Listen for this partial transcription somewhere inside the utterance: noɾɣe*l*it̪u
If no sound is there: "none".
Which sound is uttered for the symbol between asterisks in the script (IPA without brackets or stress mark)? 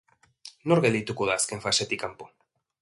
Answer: l